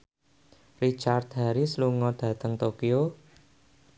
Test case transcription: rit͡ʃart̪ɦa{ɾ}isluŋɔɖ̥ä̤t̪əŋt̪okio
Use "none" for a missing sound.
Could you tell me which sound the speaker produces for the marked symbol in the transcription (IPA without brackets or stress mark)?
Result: ɾ